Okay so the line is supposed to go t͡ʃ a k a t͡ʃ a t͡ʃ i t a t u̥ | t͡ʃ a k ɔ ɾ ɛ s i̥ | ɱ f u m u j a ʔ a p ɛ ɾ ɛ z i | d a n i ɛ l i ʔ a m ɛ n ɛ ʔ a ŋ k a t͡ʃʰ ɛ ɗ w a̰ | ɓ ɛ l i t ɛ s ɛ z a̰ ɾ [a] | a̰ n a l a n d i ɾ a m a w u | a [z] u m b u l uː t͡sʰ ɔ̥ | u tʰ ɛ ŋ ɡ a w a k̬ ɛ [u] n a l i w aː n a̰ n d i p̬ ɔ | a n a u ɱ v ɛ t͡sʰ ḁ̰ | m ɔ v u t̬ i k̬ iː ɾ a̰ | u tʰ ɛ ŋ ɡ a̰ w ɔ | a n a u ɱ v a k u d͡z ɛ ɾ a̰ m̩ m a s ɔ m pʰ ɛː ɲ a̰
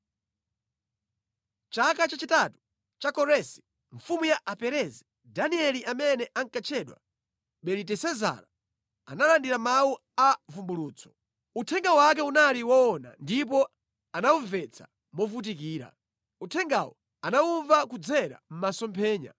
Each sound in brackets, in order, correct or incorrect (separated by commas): correct, incorrect, correct